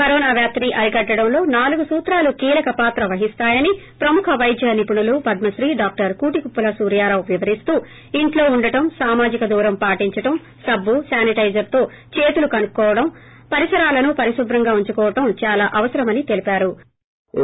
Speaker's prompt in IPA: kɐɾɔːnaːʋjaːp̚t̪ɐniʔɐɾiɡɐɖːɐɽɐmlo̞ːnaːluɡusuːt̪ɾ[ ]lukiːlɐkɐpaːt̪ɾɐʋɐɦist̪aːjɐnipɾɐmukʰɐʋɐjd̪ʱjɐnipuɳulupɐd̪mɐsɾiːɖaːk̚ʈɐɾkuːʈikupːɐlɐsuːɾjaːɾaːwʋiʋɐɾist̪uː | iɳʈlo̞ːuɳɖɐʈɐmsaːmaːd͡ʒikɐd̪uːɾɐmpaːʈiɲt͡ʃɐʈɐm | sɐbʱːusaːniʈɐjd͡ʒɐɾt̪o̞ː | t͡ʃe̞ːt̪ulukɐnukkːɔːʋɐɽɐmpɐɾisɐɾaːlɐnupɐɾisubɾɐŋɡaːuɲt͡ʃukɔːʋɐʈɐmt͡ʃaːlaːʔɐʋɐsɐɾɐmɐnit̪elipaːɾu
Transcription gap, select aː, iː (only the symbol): aː